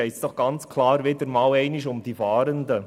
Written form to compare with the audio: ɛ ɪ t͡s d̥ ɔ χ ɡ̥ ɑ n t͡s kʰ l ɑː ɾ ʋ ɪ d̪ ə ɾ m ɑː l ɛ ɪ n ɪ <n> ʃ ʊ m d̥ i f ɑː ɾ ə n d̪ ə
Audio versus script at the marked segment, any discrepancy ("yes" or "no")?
yes